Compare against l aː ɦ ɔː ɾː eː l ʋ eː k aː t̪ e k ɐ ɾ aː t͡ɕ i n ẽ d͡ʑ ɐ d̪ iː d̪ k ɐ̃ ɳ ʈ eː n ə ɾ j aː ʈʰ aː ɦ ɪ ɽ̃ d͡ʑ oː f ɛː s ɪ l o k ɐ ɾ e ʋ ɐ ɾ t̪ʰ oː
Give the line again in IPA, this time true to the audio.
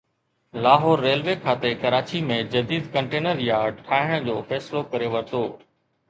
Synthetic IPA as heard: l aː ɦ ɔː ɾː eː l ʋ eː kʰ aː t̪ e k ɐ ɾ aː t͡ɕ i m ẽ d͡ʑ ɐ d̪ iː d̪ k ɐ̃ ɳ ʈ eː n ə ɾ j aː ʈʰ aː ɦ ɪ ɽ̃ d͡ʑ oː f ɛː s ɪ l o k ɐ ɾ e ʋ ɐ ɾ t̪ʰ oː